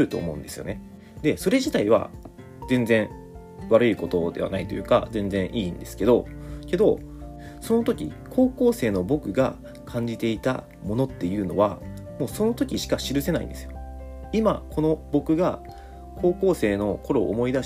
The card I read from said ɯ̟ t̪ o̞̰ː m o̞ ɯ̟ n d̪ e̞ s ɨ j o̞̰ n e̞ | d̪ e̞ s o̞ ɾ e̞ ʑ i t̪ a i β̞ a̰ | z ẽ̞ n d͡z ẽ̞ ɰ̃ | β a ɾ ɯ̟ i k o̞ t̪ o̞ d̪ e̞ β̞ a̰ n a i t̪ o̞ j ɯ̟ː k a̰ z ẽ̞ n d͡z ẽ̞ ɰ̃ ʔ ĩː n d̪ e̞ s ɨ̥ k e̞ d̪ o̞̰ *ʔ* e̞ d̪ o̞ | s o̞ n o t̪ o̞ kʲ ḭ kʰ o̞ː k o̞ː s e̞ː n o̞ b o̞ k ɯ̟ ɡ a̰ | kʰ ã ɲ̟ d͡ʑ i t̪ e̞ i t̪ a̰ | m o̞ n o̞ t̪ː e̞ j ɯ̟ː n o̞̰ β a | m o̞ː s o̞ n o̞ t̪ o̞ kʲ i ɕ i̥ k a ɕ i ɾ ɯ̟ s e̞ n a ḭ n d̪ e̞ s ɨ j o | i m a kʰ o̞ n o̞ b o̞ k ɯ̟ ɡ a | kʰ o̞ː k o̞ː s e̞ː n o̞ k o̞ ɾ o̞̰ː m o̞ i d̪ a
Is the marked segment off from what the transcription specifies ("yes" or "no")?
yes